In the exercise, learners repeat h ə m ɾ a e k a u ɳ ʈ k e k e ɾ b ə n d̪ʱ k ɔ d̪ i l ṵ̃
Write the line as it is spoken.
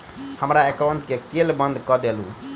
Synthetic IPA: h ə m ɾ a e k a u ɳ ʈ k e k e l b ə n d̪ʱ k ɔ d̪ e l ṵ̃